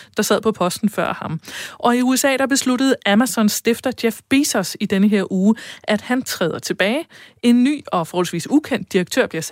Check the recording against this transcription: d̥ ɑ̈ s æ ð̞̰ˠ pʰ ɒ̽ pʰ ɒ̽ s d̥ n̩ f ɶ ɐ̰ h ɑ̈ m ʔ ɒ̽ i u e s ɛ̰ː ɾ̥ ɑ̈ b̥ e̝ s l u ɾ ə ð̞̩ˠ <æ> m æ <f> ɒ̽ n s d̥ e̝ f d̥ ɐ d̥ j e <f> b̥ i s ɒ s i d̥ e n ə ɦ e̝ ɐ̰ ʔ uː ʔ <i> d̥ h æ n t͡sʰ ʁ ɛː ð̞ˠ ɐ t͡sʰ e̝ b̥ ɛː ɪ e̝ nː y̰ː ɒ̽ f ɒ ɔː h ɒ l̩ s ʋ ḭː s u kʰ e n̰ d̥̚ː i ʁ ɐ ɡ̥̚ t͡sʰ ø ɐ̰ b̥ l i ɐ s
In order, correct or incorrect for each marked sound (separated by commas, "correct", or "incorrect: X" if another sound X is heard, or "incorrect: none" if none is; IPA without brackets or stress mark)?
correct, incorrect: s, correct, incorrect: æ